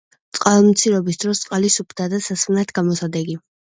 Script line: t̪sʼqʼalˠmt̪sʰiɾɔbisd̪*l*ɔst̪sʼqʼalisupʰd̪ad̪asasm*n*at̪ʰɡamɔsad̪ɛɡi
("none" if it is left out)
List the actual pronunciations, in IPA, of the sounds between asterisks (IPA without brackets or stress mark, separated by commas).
ɾ, n